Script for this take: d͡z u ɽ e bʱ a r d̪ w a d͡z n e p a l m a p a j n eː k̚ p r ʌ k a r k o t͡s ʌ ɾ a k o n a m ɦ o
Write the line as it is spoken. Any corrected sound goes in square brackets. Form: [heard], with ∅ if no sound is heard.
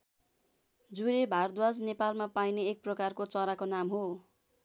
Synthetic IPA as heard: d͡z u [ɾ] e bʱ a r d̪ w a d͡z n e p a l m a p a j n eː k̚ p r ʌ k a r k o t͡s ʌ ɾ a k o n a m ɦ o